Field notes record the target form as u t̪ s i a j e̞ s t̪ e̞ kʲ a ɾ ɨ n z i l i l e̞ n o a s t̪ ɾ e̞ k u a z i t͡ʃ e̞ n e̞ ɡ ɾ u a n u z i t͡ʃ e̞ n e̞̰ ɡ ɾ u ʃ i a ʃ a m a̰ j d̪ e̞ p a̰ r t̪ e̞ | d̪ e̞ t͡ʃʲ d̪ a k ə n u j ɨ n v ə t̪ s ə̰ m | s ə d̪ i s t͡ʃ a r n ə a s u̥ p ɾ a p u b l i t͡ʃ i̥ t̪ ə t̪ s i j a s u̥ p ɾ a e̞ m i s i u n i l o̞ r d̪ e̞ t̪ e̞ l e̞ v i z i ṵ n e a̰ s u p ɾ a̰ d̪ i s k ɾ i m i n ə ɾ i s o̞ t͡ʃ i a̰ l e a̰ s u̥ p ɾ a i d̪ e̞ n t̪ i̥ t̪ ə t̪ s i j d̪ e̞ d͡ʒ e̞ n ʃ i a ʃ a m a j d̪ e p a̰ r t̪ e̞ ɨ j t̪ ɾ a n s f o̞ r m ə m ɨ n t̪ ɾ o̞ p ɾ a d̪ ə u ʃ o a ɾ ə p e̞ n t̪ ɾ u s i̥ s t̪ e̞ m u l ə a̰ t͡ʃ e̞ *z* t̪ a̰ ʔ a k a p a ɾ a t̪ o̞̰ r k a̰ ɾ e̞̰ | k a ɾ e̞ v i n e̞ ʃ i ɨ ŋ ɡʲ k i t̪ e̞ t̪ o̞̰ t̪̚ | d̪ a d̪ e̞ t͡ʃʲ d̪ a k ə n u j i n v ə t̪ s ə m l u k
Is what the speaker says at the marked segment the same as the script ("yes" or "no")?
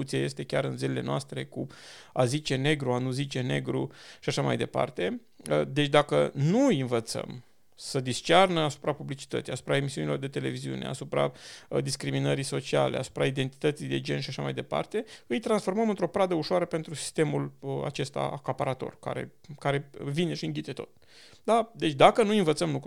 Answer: no